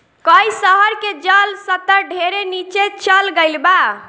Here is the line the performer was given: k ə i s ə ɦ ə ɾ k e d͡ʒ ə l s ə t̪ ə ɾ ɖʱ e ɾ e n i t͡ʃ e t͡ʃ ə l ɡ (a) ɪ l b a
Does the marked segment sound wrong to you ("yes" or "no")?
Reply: yes